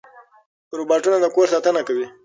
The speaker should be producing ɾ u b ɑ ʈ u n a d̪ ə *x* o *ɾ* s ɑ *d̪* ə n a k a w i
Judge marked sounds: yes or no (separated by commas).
no, yes, no